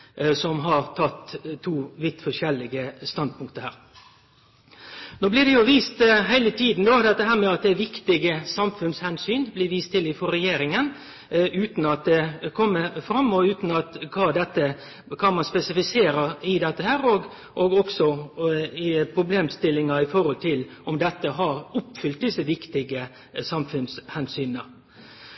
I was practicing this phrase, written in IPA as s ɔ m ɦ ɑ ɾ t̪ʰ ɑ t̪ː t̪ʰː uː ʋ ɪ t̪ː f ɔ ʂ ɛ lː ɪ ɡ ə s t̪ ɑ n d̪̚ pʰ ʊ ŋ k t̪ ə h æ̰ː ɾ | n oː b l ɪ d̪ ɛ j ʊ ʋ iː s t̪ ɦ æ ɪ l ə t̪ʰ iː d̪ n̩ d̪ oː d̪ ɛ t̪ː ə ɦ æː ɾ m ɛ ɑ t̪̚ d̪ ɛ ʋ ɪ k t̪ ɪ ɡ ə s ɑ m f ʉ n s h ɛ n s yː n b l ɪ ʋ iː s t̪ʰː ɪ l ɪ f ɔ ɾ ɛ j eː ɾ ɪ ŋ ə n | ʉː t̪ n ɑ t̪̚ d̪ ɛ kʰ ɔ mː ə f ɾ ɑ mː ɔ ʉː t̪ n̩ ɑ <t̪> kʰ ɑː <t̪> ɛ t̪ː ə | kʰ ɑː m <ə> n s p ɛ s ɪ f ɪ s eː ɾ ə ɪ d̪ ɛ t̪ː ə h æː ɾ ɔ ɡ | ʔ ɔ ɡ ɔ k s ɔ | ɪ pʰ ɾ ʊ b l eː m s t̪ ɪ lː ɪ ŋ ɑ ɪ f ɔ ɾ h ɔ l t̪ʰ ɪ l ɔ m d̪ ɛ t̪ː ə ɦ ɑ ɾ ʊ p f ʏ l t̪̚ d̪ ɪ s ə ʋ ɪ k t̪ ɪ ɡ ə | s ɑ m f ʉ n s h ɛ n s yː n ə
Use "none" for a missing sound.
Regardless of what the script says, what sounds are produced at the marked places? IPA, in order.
t̪, d̪, ɑ

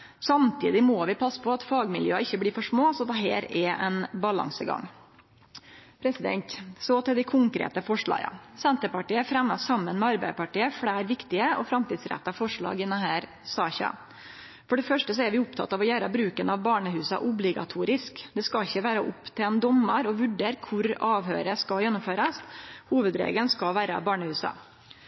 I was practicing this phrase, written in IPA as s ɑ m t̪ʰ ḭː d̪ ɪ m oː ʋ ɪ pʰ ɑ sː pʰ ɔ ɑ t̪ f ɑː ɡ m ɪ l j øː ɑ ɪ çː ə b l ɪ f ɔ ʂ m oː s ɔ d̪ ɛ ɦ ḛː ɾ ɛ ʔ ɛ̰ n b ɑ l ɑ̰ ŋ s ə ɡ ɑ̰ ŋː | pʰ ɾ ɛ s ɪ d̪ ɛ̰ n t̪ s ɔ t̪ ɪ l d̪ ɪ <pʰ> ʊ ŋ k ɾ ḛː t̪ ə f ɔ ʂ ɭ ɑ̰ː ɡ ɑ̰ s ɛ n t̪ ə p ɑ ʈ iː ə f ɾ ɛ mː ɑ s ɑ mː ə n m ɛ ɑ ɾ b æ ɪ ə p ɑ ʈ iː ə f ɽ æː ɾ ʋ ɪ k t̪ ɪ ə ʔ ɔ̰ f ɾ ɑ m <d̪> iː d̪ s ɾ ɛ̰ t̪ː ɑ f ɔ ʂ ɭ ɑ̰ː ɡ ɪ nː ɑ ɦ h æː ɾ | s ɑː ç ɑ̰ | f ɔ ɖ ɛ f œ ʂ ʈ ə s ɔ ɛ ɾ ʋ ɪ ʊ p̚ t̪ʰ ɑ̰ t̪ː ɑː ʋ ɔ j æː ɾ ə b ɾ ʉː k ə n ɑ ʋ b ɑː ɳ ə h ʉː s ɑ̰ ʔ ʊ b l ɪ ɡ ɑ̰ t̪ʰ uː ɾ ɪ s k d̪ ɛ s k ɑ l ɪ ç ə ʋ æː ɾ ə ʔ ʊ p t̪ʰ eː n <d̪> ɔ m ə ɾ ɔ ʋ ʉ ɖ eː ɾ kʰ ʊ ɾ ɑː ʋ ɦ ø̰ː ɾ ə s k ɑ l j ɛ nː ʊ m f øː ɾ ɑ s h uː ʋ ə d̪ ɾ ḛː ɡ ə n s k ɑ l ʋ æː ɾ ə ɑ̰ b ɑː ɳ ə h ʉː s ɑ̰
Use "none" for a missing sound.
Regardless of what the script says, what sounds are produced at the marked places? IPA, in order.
kʰ, t̪, d̪

